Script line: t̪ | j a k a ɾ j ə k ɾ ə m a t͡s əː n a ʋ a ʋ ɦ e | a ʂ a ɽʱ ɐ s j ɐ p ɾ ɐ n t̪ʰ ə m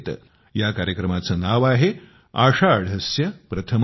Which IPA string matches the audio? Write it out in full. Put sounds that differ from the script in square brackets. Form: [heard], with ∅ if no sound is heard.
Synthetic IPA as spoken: t̪ | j a k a ɾ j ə k ɾ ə m a t͡s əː n a ʋ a [∅] ɦ e | a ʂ a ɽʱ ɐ s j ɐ p ɾ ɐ [∅] t̪ʰ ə m

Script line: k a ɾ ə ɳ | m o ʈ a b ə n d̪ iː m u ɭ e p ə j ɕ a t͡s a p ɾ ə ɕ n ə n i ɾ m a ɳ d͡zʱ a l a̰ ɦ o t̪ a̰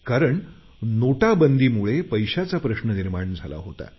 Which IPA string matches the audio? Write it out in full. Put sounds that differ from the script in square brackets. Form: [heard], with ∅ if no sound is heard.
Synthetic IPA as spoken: k a ɾ ə ɳ | [n] o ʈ a b ə n d̪ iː m u ɭ e p ə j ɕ a t͡s a p ɾ ə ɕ n ə n i ɾ m a ɳ d͡zʱ a l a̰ ɦ o t̪ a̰

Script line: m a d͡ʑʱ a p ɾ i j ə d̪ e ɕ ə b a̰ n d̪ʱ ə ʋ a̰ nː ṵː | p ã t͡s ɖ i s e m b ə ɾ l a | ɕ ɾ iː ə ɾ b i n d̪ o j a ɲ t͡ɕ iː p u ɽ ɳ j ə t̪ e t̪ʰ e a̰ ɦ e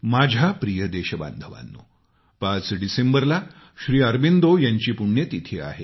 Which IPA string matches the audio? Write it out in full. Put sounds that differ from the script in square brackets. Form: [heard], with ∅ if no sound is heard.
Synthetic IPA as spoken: m a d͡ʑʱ a p ɾ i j ə d̪ e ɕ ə b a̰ n d̪ʱ ə ʋ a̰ nː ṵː | p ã t͡s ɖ i s e m b ə ɾ l a | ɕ ɾ iː ə ɾ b i n d̪ o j a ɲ t͡ɕ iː p u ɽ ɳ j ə t̪ [i] t̪ʰ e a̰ ɦ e

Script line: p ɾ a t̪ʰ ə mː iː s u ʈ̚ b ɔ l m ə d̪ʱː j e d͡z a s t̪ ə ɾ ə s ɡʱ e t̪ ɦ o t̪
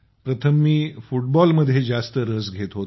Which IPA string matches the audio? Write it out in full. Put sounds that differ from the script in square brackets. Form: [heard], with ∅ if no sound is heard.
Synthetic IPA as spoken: p ɾ [ə] t̪ʰ ə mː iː [f] u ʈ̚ b ɔ l m ə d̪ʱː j e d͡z a s t̪ ə ɾ ə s ɡʱ e t̪ ɦ o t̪

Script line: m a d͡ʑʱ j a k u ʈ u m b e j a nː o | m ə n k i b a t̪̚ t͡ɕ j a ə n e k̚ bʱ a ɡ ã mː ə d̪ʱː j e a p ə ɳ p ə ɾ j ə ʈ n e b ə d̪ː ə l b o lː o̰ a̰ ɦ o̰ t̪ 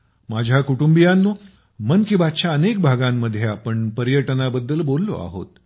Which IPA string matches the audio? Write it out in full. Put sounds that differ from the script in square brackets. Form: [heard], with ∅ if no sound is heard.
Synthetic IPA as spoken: m a d͡ʑʱ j a k u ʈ u m b [i] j a nː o | m ə n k i b a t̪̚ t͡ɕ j a ə n e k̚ bʱ a ɡ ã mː ə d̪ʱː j e a p ə ɳ p ə ɾ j ə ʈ n [a] b ə d̪ː ə l b o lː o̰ a̰ ɦ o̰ t̪

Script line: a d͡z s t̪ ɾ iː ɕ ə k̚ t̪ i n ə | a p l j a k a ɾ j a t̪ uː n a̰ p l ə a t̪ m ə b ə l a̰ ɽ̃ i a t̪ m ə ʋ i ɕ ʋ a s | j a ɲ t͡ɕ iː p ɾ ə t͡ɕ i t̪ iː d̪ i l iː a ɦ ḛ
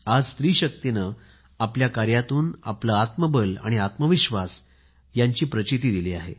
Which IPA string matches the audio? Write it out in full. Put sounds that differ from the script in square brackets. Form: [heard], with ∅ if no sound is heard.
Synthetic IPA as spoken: a d͡z s t̪ ɾ iː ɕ ə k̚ t̪ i n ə | a p l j a k a ɾ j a t̪ uː n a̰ p l ə a t̪ m ə b ə l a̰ ɽ̃ i a t̪ m ə ʋ i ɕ ʋ a s | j a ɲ t͡ɕ iː p ɾ ə t͡ɕ i t̪ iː d̪ i l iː a ɦ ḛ

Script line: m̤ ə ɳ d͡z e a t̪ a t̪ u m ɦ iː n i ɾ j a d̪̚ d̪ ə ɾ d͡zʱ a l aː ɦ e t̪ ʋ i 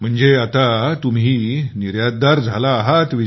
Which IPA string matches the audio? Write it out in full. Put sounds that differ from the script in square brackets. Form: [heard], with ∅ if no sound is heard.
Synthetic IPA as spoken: m̤ ə ɳ d͡z e a t̪ a t̪ u m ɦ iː n i ɾ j a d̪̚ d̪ [a] ɾ d͡zʱ a l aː ɦ [a] t̪ ʋ i

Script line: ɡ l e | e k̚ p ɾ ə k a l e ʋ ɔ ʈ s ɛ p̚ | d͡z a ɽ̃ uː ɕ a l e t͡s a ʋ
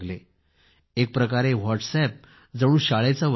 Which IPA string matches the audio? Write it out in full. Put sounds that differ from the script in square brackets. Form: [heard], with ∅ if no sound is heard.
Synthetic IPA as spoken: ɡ l e | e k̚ p ɾ ə k a [ɾ] e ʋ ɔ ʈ s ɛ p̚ | d͡z [ə] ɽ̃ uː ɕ a [ɭ] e t͡s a ʋ

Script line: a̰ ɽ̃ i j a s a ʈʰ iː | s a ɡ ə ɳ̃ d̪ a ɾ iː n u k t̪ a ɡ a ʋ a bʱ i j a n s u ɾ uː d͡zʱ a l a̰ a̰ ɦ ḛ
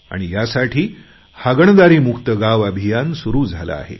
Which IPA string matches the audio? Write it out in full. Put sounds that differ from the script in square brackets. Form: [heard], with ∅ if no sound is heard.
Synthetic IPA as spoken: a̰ ɽ̃ i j a s a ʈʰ iː | [h] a ɡ ə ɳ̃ d̪ a ɾ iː [m] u k t̪ [ə] ɡ a ʋ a bʱ i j a n s u ɾ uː d͡zʱ a l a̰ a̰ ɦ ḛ

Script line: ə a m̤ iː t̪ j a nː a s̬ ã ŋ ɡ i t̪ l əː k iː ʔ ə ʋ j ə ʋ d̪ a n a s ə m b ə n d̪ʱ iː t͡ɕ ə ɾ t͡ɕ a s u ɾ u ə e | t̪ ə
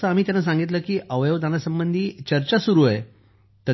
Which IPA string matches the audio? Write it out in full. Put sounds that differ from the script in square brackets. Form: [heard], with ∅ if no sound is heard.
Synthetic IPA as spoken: ə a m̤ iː t̪ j a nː a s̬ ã ŋ ɡ i t̪ l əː k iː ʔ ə ʋ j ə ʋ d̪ a n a s ə m b ə n d̪ʱ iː t͡ɕ ə ɾ t͡ɕ a s u ɾ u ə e | t̪ ə

